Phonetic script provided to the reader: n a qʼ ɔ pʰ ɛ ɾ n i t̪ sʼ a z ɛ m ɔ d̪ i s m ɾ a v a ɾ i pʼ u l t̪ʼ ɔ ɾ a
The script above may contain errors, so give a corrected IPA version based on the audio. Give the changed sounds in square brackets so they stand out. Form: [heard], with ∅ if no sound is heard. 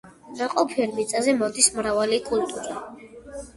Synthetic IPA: n a qʼ ɔ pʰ ɛ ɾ [m] i t̪ sʼ a z ɛ m ɔ d̪ i s m ɾ a v a [l] i [kʼ] u l t̪ʼ [u] ɾ a